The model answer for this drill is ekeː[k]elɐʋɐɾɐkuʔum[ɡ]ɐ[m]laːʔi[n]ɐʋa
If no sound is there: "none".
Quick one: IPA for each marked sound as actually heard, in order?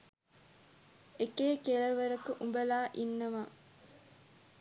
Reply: k, b, none, nː

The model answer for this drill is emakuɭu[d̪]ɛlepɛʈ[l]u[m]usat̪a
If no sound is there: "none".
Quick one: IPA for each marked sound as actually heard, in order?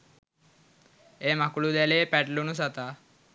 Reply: d̪, l, n

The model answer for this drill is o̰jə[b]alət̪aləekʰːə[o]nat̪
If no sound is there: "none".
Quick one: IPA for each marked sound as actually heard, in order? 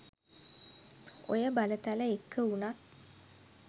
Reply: b, u

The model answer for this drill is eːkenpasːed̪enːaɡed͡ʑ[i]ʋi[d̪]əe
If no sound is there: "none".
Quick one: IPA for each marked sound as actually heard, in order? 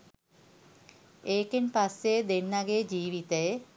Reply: iː, t̪

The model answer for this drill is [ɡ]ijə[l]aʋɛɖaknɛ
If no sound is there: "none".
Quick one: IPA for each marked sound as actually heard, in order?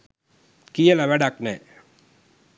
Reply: k, l

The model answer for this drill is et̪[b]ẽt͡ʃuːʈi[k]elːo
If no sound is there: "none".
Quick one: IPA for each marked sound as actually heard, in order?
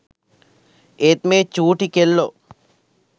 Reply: m, k

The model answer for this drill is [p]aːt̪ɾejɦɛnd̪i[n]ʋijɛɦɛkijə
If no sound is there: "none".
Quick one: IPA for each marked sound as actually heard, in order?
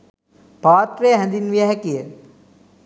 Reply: p, n

